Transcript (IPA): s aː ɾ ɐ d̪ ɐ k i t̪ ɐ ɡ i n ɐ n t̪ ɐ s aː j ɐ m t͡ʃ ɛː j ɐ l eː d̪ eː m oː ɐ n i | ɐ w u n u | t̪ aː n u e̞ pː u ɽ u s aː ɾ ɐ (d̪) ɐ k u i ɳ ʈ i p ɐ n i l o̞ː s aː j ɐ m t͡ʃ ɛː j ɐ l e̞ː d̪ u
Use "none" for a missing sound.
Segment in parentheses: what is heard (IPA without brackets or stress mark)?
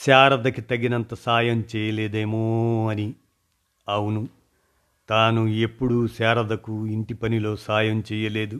d̪